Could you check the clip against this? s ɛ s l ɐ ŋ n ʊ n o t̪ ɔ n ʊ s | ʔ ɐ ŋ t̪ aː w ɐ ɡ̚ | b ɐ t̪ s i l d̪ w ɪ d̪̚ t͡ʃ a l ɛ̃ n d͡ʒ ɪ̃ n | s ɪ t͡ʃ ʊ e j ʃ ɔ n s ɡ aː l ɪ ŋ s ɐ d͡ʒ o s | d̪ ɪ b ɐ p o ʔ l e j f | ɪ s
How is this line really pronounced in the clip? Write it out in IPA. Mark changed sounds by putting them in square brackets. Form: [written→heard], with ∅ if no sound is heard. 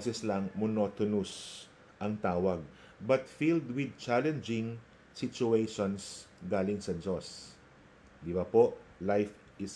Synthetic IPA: s ɛ s l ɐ ŋ [n→m] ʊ n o t̪ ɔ n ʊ s | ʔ ɐ ŋ t̪ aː w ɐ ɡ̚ | b ɐ t̪ [s→f] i l d̪ w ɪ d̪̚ t͡ʃ a l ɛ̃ n d͡ʒ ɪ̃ [n→ŋ] | s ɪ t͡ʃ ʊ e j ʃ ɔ n s ɡ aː l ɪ ŋ s ɐ d͡ʒ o s | d̪ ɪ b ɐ p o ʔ l [e→a] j f | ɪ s